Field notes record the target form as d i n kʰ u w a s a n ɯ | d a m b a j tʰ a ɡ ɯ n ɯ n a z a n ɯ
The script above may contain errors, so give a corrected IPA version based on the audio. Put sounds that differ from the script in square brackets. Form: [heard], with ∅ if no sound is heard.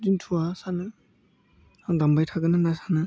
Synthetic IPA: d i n [tʰ] u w a s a n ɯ | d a m b a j tʰ a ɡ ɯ n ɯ n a [s] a n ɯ